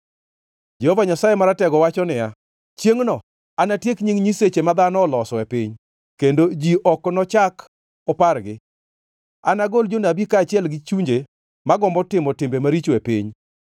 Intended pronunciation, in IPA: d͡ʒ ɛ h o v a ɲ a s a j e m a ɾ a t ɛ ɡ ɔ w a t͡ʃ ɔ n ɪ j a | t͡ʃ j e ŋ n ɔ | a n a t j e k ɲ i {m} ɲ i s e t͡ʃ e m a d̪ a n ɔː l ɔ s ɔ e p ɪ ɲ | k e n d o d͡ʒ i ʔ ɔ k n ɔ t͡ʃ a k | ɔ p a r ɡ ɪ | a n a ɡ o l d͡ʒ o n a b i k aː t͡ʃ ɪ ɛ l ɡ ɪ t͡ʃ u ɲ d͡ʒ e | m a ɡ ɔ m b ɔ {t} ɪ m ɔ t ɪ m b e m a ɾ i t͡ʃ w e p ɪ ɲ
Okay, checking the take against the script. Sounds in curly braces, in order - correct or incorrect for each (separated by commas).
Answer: incorrect, correct